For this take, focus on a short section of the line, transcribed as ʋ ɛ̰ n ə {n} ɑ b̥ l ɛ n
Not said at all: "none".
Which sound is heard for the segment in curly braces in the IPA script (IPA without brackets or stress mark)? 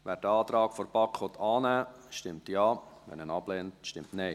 n